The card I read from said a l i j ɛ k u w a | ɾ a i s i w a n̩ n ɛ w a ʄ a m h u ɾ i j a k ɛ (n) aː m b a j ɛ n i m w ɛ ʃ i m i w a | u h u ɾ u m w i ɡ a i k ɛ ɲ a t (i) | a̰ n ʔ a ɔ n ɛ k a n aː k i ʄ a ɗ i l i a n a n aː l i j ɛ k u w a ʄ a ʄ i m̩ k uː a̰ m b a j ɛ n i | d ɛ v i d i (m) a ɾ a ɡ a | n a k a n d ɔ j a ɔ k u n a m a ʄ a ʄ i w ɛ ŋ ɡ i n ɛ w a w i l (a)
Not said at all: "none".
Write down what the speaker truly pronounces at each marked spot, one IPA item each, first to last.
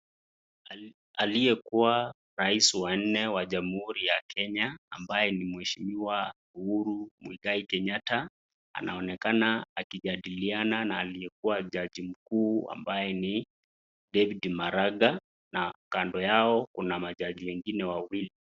ɲ, a, m, i

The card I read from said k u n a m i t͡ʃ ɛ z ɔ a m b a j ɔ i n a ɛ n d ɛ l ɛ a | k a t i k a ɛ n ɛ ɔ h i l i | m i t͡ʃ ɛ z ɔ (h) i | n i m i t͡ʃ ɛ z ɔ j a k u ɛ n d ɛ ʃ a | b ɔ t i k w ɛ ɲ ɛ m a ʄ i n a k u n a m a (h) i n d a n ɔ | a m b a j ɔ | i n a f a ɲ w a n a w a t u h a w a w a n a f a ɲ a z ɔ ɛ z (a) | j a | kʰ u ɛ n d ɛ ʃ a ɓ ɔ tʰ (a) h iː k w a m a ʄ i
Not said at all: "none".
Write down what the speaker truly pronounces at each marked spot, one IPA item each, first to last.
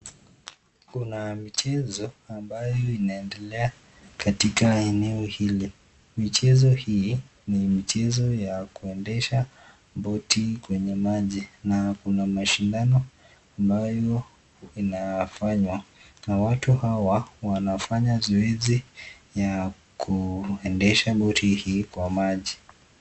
h, ʃ, i, i

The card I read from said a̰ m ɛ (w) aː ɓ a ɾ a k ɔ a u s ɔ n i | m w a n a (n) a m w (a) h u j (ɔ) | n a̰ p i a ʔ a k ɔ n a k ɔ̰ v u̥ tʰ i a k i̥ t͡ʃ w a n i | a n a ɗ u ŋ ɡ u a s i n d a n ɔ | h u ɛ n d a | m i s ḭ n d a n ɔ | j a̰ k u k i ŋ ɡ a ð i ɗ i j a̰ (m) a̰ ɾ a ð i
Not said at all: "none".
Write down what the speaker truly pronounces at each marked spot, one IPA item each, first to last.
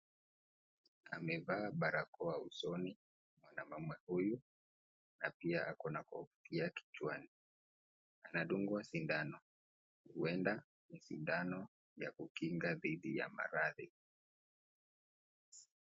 v, m, ɛ, u, m

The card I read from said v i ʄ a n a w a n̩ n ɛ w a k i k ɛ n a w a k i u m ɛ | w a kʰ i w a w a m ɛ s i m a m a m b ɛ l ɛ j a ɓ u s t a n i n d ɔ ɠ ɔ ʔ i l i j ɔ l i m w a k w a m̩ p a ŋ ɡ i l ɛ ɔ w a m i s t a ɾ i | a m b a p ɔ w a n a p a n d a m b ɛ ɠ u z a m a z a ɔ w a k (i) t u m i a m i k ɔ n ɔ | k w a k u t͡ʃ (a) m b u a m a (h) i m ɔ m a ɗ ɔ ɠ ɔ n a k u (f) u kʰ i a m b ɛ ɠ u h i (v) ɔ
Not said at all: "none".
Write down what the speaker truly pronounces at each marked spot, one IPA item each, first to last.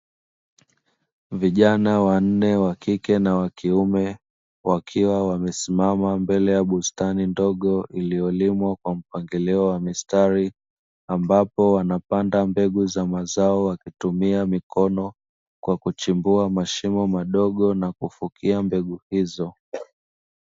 i, i, ʃ, f, z

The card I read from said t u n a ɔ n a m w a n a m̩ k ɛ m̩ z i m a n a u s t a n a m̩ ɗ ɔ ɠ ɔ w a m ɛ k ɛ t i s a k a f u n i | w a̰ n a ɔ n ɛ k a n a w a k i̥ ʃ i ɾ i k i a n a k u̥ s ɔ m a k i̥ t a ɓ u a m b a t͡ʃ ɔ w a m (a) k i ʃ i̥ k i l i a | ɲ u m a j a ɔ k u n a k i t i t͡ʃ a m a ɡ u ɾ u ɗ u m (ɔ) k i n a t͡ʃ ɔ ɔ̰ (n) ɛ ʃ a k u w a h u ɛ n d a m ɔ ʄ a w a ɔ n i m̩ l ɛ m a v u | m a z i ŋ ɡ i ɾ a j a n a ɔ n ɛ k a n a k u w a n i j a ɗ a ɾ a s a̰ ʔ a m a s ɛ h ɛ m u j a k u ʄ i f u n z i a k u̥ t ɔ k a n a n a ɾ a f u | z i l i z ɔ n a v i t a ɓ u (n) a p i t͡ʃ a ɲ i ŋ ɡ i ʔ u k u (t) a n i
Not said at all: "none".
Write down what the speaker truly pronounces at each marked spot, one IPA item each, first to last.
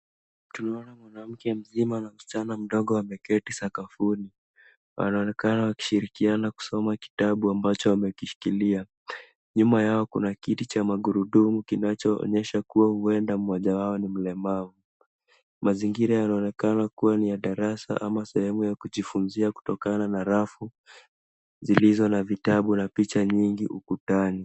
ɛ, u, ɲ, n, t

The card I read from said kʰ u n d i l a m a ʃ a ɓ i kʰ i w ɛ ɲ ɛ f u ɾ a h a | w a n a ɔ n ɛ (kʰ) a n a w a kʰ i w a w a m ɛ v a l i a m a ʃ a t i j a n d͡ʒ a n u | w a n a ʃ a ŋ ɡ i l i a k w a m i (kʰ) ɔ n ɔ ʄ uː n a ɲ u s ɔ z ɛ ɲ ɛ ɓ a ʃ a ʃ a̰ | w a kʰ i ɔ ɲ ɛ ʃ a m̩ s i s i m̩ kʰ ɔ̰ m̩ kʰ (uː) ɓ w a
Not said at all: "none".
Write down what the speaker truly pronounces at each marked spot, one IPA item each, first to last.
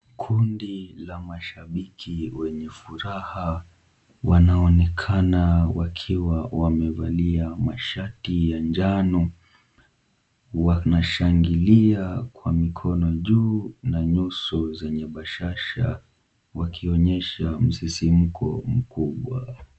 kʰ, kʰ, u

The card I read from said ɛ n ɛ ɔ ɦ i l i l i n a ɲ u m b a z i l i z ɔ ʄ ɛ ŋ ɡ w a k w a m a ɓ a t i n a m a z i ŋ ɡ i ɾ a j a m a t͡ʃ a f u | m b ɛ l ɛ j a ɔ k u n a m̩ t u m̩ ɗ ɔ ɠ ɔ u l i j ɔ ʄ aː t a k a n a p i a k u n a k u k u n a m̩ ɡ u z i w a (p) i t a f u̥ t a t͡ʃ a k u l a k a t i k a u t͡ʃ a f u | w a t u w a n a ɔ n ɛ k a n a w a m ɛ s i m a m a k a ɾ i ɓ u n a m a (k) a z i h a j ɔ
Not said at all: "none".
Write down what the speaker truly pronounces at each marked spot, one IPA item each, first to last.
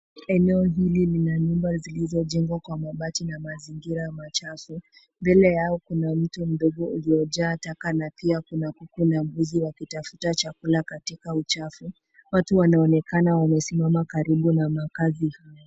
k, k

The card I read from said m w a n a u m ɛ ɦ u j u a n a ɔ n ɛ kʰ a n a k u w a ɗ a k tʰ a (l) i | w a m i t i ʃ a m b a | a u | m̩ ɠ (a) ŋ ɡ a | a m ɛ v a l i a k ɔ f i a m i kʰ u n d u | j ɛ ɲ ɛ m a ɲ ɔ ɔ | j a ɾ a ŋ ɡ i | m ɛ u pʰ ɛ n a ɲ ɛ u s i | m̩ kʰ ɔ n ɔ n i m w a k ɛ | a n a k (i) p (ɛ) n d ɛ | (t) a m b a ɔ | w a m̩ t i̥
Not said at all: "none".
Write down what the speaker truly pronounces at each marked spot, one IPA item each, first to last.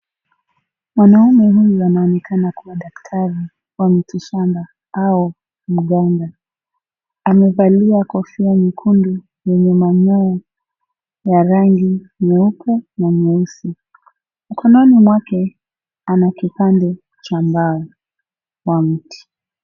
ɾ, a, i, a, t͡ʃ

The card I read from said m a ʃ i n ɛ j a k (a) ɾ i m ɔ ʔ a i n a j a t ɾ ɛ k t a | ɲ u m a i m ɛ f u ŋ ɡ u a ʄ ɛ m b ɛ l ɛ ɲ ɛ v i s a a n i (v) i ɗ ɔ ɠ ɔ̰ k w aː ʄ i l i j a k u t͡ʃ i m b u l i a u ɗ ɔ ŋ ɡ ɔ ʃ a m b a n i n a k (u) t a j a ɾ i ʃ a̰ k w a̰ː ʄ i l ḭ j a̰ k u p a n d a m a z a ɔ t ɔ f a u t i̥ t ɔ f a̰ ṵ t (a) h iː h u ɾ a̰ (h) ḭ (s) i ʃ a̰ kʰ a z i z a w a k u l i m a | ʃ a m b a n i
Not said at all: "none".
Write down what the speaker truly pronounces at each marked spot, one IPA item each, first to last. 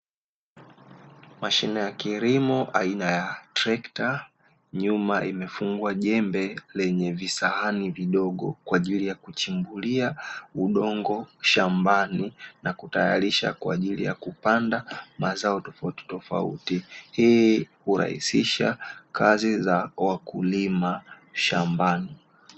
i, v, u, i, h, s

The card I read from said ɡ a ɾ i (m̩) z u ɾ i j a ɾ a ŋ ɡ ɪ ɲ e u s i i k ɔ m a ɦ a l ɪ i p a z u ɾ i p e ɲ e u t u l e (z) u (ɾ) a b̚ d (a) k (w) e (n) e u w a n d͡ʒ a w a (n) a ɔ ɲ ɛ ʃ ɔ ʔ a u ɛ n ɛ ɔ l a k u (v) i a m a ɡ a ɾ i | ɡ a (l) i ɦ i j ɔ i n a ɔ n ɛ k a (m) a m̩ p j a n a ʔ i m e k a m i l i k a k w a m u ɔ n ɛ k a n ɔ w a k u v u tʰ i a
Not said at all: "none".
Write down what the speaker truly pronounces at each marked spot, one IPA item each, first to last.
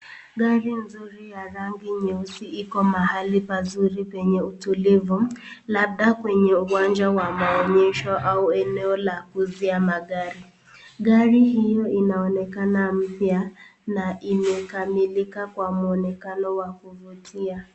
n̩, v, l, a, w, ɲ, m, z, ɾ, n

